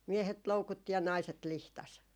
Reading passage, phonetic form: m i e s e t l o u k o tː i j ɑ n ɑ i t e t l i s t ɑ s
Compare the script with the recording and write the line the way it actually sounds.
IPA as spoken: m i e h e t l o u k u tː i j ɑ n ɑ i s e t l i h t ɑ s